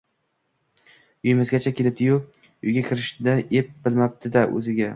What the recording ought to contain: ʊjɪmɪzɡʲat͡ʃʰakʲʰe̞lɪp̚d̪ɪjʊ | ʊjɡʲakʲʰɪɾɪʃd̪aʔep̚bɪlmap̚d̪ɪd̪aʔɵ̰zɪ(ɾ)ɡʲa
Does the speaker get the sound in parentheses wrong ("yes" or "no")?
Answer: yes